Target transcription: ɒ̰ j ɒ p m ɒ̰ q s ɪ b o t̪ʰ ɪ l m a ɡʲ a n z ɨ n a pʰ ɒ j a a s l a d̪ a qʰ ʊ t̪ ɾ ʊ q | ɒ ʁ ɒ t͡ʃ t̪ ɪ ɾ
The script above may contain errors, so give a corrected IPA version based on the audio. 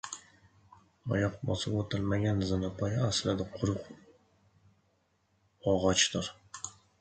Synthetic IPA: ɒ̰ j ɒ q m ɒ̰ s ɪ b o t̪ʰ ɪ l m a ɡʲ a n z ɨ n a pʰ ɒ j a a s l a d̪ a qʰ ʊ ɾ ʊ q | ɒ ʁ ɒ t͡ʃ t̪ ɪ ɾ